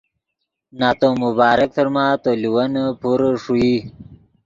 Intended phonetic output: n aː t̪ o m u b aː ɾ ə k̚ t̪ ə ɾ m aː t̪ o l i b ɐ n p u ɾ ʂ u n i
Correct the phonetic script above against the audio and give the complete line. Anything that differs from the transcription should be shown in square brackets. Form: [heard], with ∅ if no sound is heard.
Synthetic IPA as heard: n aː t̪ o m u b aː ɾ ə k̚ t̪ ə ɾ m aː t̪ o l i [w] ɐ n p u ɾ ʂ u [∅] i

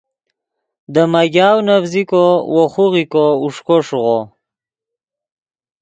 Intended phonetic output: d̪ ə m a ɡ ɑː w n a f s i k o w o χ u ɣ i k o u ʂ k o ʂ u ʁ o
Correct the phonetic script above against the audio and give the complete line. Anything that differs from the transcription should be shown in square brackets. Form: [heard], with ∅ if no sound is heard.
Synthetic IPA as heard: d̪ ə m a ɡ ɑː w n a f [z] i k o w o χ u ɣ i k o u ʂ k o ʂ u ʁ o

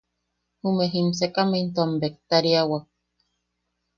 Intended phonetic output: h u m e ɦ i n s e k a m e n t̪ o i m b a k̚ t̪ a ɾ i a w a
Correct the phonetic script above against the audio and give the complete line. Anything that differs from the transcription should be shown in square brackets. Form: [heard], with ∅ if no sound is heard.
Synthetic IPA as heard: h u m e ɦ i [m] s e k a m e n t̪ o [a] m b [e] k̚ t̪ a ɾ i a w a

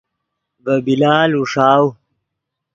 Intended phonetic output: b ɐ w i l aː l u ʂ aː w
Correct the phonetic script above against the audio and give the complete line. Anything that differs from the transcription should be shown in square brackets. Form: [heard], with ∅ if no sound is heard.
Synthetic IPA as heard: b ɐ [b] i l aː l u ʂ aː w

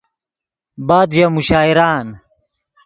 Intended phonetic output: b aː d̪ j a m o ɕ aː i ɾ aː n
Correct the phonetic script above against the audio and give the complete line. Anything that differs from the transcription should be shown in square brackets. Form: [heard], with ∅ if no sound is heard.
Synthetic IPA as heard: b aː d̪ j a m [u] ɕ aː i ɾ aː n

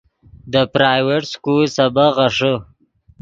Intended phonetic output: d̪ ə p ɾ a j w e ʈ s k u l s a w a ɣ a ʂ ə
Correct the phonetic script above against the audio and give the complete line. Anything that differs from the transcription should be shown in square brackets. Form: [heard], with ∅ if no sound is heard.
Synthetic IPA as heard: d̪ ə p ɾ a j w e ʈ s k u l s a [b] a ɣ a ʂ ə

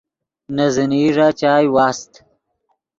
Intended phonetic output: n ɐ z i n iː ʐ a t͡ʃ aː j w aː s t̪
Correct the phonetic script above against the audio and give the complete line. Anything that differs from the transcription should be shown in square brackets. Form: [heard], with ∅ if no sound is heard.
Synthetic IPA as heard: n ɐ z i n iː ʐ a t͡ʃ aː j w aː s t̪

